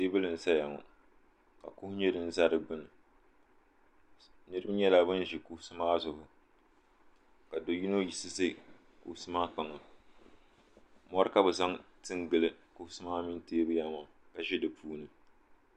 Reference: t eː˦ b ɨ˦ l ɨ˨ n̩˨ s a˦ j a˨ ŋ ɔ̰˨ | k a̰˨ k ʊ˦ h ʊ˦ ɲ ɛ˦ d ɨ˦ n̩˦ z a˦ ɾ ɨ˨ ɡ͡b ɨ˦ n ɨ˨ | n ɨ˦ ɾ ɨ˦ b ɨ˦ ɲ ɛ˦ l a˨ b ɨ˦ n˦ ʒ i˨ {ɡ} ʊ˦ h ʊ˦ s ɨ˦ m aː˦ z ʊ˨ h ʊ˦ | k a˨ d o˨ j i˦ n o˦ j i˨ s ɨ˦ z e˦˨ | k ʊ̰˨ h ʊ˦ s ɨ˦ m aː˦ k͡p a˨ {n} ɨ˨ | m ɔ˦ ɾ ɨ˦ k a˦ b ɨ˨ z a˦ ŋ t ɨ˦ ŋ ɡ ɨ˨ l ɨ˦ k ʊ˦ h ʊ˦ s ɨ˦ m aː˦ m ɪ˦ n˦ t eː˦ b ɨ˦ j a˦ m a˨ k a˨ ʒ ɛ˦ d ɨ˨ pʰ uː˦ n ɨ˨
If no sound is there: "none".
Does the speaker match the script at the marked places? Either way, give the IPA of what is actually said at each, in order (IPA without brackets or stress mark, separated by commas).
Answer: k, ŋ